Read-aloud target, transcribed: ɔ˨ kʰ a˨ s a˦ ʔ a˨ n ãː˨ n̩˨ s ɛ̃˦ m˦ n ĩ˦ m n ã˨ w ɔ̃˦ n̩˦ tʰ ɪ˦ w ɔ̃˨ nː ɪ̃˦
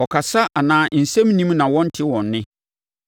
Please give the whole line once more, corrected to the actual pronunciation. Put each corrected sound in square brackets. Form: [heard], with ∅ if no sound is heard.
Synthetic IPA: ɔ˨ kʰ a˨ s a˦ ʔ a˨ n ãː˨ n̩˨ s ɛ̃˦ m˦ n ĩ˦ m n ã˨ w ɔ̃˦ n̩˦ tʰ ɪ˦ w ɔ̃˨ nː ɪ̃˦